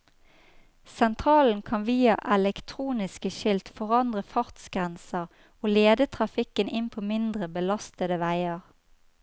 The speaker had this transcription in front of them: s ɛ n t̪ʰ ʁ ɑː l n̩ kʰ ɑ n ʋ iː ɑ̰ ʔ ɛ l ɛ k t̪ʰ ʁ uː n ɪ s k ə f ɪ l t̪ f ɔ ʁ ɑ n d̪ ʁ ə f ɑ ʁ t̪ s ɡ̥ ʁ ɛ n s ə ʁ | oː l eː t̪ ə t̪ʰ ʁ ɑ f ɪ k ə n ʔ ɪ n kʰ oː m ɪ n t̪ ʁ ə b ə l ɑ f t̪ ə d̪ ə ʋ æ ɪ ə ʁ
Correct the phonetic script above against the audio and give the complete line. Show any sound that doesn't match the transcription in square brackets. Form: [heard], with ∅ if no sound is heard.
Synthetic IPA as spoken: s ɛ n t̪ʰ ʁ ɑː l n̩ kʰ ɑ n ʋ iː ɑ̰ ʔ ɛ l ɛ k t̪ʰ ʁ uː n ɪ s k ə [ʃ] ɪ l t̪ f ɔ ʁ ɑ n d̪ ʁ ə f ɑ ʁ t̪ s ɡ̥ ʁ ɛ n s ə ʁ | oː l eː [d̪] ə t̪ʰ ʁ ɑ f ɪ k ə n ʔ ɪ n [pʰ] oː m ɪ n [d̪] ʁ ə b ə l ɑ [s] t̪ ə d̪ ə ʋ æ ɪ ə ʁ